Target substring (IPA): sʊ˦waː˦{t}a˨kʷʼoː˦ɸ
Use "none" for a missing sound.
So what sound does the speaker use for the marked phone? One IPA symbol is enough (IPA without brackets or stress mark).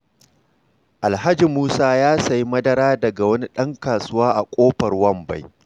ʔ